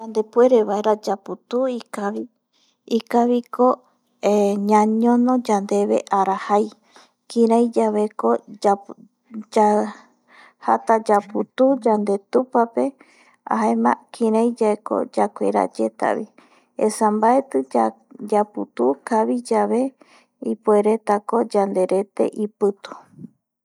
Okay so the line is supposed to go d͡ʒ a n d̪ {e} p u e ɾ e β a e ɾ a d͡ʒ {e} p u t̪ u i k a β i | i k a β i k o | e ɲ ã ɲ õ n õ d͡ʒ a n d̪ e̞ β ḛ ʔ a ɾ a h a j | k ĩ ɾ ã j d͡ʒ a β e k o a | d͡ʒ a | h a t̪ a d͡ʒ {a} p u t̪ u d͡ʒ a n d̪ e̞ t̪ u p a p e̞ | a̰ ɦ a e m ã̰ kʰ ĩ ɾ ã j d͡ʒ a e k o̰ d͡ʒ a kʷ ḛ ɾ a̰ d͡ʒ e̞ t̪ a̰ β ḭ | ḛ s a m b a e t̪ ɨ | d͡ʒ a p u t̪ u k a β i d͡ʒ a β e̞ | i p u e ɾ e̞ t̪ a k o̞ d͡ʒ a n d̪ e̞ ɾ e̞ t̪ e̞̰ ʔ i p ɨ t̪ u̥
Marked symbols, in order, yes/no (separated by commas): yes, no, yes